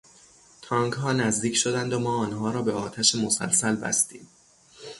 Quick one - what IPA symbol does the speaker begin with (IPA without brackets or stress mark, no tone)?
t̪ʰ